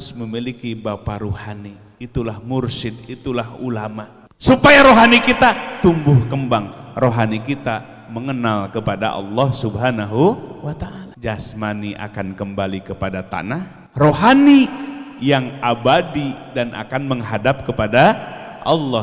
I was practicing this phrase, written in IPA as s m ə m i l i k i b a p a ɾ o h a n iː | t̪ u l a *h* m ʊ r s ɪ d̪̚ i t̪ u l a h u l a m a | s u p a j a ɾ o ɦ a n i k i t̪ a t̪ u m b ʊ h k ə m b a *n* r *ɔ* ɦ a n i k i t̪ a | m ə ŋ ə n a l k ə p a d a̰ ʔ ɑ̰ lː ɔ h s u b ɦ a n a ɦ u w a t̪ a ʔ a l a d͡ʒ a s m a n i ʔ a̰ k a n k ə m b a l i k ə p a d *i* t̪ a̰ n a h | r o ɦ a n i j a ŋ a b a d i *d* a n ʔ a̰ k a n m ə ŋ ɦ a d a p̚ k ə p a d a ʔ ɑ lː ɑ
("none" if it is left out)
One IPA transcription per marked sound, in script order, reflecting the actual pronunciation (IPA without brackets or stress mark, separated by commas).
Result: h, ŋ, o, a, d